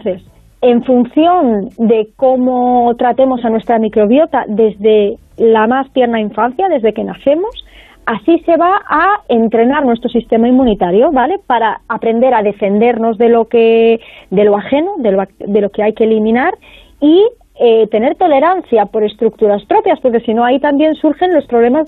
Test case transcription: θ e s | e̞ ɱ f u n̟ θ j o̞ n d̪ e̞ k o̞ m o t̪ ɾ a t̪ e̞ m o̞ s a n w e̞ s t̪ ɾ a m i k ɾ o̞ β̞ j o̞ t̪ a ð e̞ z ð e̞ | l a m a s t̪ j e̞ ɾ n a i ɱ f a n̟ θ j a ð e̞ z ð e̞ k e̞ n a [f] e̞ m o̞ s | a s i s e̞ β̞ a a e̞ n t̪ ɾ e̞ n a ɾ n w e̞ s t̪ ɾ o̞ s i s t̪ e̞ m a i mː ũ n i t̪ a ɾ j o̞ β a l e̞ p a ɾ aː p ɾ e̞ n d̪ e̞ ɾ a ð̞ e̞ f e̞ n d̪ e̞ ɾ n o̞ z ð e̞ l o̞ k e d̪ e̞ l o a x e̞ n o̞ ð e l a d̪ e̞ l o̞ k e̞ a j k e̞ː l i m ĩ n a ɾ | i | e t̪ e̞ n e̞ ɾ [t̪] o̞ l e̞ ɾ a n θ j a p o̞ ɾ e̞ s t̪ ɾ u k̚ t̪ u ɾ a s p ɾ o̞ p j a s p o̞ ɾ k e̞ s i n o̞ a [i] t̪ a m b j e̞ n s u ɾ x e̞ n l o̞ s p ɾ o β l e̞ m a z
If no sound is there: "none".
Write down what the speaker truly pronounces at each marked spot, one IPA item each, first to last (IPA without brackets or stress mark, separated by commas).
θ, t̪, i